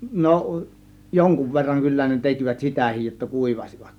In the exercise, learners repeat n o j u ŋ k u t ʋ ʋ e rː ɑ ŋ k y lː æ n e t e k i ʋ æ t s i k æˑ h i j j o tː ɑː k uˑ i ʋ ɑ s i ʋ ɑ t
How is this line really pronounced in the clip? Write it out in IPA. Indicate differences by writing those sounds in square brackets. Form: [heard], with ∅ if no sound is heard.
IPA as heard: n o j [o] ŋ k u [∅] ʋ ʋ e rː ɑ ŋ k y lː æ n e t e k i ʋ æ t s i [t] æˑ h i j j o tː [ɑ] k uˑ i ʋ ɑ s i ʋ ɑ t